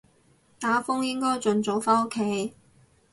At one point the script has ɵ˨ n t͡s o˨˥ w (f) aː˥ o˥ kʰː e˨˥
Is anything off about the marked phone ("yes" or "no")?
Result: no